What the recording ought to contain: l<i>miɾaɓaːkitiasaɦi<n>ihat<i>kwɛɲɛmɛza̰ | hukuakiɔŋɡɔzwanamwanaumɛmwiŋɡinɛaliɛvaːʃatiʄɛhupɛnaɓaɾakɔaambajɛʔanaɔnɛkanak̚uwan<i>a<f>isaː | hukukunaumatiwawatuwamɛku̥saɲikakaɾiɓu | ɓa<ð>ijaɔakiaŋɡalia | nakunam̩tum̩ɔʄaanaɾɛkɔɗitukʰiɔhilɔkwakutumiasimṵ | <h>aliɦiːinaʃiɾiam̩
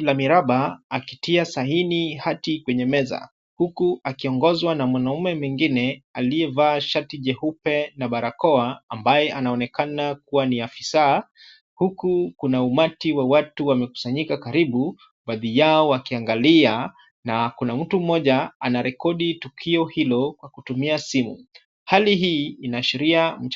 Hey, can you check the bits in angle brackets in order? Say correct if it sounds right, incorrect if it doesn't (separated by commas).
incorrect, correct, correct, correct, correct, correct, correct